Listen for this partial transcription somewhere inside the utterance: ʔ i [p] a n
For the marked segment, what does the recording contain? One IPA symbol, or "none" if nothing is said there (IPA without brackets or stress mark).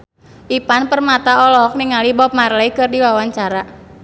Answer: p